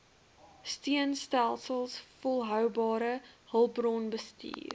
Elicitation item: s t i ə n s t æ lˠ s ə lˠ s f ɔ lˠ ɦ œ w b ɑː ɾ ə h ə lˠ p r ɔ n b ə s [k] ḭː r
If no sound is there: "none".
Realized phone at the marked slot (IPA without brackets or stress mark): t